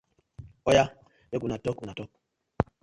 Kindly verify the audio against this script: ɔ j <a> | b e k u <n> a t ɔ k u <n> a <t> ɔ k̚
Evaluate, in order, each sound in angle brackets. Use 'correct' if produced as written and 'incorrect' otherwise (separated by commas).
correct, correct, correct, correct